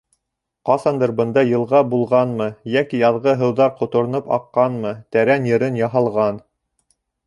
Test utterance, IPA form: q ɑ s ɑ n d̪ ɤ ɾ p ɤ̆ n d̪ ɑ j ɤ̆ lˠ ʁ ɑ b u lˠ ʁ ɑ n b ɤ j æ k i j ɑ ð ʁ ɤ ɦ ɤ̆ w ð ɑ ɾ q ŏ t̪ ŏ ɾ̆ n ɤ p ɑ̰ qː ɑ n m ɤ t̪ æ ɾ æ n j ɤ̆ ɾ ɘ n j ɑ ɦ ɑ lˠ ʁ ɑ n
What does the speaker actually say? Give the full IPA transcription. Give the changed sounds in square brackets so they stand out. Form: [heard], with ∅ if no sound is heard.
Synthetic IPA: q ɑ s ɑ n d̪ ɤ ɾ [b] ɤ̆ n d̪ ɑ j ɤ̆ lˠ ʁ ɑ b u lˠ ʁ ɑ n [m] ɤ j æ k i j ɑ ð ʁ ɤ ɦ ɤ̆ w ð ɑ ɾ q ŏ t̪ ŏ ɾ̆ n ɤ p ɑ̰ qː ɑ n m ɤ t̪ æ ɾ æ n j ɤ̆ ɾ ɘ n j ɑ ɦ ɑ lˠ ʁ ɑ n